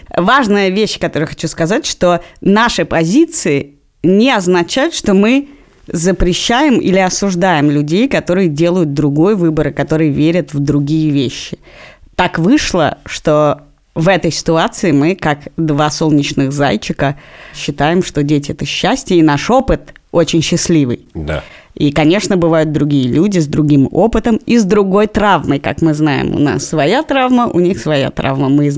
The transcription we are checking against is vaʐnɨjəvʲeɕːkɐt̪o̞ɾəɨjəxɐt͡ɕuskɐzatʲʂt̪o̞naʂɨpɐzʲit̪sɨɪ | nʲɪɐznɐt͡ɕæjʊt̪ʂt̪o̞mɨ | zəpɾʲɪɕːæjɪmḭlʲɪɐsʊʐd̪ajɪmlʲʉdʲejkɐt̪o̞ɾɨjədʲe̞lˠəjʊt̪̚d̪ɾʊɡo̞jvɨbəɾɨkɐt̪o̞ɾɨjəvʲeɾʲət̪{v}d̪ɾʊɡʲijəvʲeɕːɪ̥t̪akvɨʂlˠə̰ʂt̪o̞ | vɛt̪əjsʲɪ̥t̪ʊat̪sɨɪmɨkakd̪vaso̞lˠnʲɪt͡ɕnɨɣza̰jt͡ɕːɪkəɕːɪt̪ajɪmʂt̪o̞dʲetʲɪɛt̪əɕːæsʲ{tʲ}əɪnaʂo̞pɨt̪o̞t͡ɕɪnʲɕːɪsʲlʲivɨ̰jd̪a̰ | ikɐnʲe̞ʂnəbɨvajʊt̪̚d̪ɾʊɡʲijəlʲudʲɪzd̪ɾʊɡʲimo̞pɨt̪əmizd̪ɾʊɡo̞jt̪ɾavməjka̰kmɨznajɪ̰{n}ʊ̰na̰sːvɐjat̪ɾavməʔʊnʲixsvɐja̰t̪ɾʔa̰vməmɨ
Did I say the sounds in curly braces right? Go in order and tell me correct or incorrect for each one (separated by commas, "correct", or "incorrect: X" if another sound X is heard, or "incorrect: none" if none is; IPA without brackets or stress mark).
correct, correct, incorrect: m